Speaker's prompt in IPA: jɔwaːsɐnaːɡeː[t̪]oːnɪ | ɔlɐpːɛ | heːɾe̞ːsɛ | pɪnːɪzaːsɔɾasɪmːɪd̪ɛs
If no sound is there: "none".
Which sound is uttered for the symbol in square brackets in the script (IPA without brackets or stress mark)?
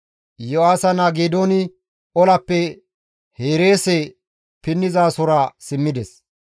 d̪